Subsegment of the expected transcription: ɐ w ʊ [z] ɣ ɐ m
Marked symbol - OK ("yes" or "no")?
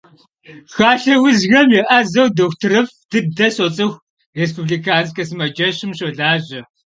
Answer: yes